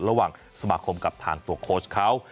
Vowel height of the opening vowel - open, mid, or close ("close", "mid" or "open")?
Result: open